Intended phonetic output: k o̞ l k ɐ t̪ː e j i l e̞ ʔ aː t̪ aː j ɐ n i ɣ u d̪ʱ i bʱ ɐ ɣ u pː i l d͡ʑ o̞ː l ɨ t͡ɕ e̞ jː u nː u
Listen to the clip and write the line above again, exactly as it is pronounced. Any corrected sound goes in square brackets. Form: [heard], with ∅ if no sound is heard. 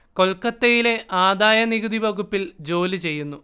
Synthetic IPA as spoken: k o̞ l k ɐ t̪ː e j i l e̞ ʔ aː [d̪] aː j ɐ n i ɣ u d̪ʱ i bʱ ɐ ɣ u pː i l d͡ʑ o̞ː l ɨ t͡ɕ e̞ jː u nː u